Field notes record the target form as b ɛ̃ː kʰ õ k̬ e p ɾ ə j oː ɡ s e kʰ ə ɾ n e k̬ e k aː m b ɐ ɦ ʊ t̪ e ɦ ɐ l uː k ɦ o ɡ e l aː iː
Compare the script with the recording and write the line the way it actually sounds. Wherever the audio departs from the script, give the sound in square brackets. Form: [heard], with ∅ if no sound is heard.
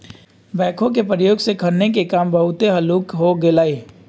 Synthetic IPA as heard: b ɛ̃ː kʰ õ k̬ e p ɾ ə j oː ɡ s e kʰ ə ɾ n e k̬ e k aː m b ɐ ɦ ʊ t̪ e ɦ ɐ l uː k ɦ o ɡ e l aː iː